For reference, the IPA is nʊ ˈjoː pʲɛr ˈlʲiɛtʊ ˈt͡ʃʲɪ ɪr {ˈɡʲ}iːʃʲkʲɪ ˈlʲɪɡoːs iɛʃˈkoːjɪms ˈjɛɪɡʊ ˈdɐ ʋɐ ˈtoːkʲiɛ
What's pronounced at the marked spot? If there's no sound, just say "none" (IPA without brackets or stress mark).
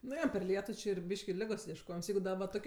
bʲ